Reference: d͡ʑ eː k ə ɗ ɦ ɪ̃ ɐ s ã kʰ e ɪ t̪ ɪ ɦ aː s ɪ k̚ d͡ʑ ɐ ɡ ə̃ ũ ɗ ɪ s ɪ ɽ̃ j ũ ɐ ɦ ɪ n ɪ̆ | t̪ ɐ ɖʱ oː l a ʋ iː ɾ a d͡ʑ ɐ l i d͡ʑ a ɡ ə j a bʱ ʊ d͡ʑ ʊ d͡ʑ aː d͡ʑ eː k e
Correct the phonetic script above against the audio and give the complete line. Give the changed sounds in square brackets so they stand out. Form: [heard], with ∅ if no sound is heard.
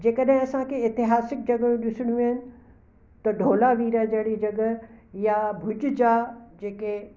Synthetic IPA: d͡ʑ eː k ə ɗ ɦ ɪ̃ ɐ s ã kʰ e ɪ t̪ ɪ ɦ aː s ɪ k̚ d͡ʑ ɐ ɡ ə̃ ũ ɗ ɪ s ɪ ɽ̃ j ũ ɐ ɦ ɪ n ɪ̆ | t̪ ɐ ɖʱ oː l a ʋ iː ɾ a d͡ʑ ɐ [ɽ] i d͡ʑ [ɐ] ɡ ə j a bʱ ʊ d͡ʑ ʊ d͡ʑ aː d͡ʑ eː k e

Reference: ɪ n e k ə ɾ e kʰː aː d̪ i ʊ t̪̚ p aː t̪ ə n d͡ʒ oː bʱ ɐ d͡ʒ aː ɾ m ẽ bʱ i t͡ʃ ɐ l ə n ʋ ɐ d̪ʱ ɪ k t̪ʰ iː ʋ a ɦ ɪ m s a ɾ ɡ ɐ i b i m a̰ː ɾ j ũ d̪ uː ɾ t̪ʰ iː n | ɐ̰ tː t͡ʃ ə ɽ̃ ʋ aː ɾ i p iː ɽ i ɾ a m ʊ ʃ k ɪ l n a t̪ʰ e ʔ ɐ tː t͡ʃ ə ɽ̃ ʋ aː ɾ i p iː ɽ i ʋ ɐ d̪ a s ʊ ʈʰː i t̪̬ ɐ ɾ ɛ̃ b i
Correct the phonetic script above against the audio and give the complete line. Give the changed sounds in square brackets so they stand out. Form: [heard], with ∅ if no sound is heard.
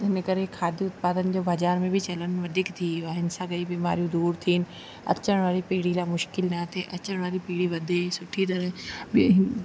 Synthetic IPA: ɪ n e k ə ɾ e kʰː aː d̪ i ʊ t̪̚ p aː [d̪] ə n d͡ʒ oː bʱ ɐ d͡ʒ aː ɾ m ẽ bʱ i t͡ʃ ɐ l ə n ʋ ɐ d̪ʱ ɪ k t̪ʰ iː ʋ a ɦ ɪ [n] s a [∅] ɡ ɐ i b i m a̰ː ɾ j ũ d̪ uː ɾ t̪ʰ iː n | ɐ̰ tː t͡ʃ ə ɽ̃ ʋ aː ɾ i p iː ɽ i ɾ a m ʊ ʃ k ɪ l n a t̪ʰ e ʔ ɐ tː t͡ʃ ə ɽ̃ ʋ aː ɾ i p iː ɽ i ʋ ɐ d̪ [e] s ʊ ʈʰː i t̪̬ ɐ ɾ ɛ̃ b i

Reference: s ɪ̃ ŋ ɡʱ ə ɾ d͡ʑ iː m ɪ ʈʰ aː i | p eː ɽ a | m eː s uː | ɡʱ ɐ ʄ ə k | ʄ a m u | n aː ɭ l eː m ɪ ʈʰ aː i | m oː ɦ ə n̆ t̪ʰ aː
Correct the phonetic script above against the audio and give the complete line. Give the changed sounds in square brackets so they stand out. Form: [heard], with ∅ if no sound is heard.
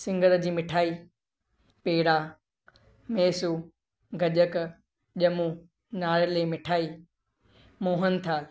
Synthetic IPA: s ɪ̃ ŋ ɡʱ ə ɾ d͡ʑ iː m ɪ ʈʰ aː i | p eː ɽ a | m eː s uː | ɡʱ ɐ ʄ ə k | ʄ [ɐ] m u | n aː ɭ l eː m ɪ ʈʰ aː i | m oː ɦ ə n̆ t̪ʰ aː

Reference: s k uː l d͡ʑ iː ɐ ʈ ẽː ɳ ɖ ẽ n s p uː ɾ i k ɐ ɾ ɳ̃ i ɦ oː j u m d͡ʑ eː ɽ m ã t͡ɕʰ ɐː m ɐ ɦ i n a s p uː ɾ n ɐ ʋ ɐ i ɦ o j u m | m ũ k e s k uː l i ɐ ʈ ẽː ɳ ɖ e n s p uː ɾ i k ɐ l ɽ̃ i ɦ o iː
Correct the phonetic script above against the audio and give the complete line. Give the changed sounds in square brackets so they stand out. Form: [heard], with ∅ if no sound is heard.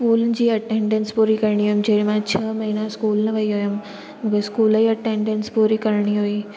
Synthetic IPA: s k uː l d͡ʑ iː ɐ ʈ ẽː ɳ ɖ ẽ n s p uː ɾ i k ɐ ɾ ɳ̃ i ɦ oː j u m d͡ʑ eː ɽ m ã t͡ɕʰ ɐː m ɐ ɦ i n a s [k] uː [l] n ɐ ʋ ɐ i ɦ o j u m | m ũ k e s k uː l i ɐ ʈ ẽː ɳ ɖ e n s p uː ɾ i k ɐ [ɾ] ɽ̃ i ɦ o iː

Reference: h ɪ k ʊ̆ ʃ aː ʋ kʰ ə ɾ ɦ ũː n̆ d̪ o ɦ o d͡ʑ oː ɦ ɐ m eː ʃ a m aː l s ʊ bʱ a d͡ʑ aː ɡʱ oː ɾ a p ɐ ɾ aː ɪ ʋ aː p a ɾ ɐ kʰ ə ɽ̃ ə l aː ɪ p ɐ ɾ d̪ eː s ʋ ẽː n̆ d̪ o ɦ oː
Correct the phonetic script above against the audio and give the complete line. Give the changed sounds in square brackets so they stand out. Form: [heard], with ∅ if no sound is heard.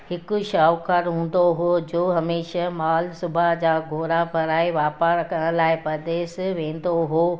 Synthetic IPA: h ɪ k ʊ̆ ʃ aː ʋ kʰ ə ɾ ɦ ũː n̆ d̪ o ɦ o d͡ʑ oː ɦ ɐ m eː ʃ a m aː l s ʊ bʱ a d͡ʑ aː ɡʱ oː ɾ a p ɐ ɾ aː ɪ ʋ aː p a ɾ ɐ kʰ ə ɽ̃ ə l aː ɪ p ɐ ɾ d̪ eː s ʋ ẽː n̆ d̪ o ɦ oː

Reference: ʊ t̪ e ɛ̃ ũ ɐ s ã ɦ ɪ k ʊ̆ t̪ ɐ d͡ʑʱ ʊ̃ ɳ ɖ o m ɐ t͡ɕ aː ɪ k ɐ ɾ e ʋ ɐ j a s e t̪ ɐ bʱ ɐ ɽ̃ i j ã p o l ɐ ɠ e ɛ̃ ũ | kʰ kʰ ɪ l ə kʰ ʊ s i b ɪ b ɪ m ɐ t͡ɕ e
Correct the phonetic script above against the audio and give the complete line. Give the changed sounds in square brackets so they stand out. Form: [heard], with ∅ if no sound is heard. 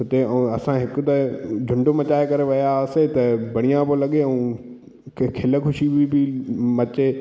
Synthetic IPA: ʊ t̪ e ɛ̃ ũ ɐ s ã ɦ ɪ k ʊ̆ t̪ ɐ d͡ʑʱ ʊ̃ ɳ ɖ o m ɐ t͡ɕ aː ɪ k ɐ ɾ e ʋ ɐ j a s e t̪ ɐ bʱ ɐ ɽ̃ i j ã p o l ɐ ɠ e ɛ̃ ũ | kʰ kʰ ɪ l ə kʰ ʊ [ʃ] i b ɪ b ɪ m ɐ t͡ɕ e

